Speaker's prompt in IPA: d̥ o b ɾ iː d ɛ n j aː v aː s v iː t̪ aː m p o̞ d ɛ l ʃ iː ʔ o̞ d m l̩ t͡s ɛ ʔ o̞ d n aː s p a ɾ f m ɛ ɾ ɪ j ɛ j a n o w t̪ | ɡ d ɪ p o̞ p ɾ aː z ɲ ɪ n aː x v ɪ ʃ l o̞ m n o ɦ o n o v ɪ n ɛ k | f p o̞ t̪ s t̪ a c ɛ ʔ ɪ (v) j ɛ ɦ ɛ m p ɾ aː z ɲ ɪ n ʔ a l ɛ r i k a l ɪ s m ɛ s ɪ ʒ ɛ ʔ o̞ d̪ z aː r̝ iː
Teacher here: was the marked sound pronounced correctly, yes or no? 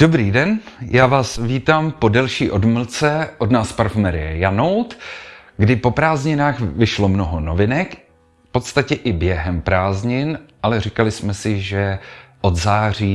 no